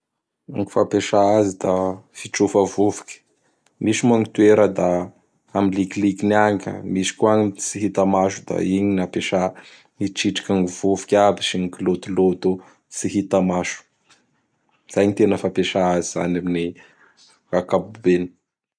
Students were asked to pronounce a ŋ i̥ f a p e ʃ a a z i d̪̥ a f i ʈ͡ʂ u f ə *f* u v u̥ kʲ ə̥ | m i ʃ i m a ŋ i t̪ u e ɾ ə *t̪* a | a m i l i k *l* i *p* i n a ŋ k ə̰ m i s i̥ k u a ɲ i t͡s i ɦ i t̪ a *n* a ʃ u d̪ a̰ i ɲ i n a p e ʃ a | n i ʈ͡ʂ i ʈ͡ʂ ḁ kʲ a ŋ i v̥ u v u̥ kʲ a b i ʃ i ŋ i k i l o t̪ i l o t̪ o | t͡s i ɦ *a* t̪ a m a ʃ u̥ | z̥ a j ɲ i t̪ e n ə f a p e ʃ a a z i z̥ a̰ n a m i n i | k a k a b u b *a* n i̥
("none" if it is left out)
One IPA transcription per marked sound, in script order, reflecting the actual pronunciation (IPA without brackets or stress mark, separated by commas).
v, d̪, l, k, m, i, e